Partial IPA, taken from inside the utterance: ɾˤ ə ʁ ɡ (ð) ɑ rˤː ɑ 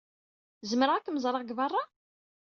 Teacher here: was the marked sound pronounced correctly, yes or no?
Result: no